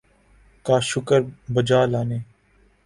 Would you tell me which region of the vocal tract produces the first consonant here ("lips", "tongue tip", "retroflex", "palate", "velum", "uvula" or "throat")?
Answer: velum